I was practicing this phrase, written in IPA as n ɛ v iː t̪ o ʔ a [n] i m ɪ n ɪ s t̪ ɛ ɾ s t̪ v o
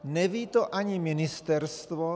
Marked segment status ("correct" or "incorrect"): incorrect